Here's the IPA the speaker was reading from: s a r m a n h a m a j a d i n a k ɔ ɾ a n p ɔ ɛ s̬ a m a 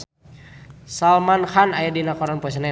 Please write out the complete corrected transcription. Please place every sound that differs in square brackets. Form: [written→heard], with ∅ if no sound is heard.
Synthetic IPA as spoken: s a [r→l] m a n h a [m→n] a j a d i n a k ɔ ɾ a n p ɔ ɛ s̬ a [m→n] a